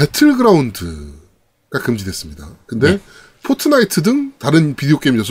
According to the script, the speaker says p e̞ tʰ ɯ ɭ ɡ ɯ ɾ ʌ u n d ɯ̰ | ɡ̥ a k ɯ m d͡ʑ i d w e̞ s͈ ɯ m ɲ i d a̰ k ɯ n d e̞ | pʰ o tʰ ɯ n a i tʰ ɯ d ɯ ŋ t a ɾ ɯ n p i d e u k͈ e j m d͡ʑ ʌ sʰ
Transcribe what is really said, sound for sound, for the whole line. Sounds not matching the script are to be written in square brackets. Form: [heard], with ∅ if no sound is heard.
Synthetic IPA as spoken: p e̞ tʰ ɯ ɭ ɡ ɯ ɾ [a] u n d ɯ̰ | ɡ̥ a k ɯ m d͡ʑ i d w e̞ s͈ ɯ m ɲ i d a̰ k ɯ n d e̞ | pʰ o tʰ ɯ n a i tʰ ɯ d ɯ ŋ t a ɾ ɯ n p i d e [o] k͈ e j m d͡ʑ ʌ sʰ